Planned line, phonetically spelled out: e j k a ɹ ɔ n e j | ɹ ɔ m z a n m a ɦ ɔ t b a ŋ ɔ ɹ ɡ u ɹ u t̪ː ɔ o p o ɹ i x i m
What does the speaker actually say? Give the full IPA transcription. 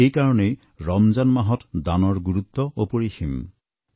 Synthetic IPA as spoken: e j k a ɹ ɔ n e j | ɹ ɔ m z a n m a ɦ ɔ t d a n ɔ ɹ ɡ u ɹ u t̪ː ɔ o p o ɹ i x i m